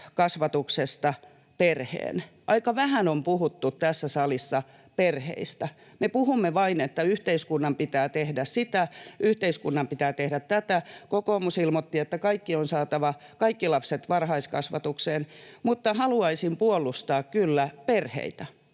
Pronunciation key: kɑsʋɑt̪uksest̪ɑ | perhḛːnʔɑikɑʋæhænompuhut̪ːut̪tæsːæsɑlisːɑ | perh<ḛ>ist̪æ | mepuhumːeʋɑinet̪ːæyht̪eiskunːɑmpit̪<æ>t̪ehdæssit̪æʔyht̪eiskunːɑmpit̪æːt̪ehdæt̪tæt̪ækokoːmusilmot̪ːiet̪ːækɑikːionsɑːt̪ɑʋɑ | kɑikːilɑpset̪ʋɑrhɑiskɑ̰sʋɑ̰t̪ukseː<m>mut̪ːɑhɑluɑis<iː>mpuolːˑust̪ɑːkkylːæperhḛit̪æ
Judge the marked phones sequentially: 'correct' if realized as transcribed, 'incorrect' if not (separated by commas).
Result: correct, incorrect, incorrect, incorrect